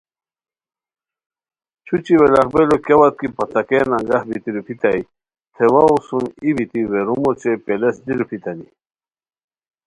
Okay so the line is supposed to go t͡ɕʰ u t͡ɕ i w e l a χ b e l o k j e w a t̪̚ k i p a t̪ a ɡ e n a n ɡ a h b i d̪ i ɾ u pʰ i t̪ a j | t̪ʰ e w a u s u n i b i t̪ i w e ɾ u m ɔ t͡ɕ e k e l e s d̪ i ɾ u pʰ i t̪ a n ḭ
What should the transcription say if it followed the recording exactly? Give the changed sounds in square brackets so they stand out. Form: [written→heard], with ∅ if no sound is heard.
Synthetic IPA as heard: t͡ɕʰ u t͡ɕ i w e l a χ b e l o k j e w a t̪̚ k i p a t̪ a [ɡ→k] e n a [n→ŋ] ɡ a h b i [d̪→t̪] i ɾ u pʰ i t̪ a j | t̪ʰ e w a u s u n i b i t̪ i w e ɾ u m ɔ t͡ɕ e [k→p] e l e s d̪ i ɾ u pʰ i t̪ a n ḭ